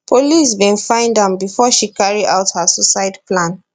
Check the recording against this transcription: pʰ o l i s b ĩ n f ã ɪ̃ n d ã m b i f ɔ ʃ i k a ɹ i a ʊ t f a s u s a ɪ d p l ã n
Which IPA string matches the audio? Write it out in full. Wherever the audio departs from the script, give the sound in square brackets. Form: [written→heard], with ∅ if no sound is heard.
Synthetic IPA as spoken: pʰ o l i s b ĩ n f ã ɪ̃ n d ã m b i f ɔ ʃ i k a ɹ i a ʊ t [f→h] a s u s a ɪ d p l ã n